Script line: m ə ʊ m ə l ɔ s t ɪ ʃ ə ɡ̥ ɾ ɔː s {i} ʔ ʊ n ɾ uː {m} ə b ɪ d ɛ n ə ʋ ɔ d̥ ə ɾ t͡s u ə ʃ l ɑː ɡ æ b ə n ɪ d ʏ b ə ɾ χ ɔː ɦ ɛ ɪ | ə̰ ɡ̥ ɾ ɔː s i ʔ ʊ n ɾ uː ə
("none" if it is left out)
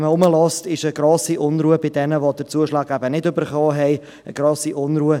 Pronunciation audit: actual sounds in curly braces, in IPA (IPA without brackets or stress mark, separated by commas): i, none